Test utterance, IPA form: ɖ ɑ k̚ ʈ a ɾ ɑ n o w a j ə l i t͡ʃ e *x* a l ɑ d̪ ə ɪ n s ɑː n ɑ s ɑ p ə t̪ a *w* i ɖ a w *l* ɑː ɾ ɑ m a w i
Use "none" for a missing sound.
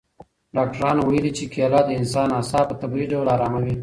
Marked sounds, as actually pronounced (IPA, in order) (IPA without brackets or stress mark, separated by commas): k, b, l